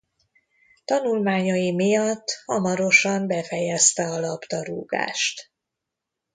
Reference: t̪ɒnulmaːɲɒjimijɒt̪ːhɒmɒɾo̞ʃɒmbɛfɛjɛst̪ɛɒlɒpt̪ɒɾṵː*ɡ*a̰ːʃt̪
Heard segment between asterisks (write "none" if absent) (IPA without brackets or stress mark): ɡ